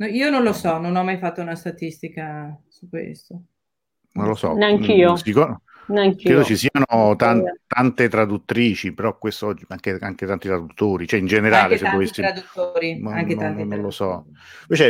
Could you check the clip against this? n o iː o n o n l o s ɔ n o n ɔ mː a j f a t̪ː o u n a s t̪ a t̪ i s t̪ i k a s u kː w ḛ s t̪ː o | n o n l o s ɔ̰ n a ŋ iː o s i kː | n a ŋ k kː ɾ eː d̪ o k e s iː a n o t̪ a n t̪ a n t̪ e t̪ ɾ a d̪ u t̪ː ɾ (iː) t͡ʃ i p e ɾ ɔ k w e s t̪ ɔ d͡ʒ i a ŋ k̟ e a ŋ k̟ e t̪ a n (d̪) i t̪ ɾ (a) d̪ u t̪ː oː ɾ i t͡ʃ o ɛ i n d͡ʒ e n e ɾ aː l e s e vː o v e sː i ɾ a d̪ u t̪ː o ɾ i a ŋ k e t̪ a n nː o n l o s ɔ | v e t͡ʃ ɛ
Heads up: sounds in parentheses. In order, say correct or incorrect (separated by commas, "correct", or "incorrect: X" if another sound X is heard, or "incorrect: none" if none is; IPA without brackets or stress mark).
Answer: correct, incorrect: t̪, correct